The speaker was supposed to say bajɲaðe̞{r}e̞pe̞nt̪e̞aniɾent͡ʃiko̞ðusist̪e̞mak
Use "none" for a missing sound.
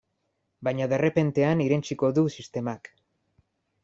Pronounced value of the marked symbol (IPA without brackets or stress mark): r